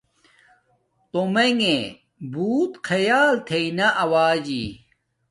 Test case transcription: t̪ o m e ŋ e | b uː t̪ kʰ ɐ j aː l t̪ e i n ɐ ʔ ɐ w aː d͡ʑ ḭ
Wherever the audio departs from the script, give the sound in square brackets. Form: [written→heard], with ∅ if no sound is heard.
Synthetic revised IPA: t̪ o m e ŋ e | b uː t̪ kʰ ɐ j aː l [t̪→t̪ʰ] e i n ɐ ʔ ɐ w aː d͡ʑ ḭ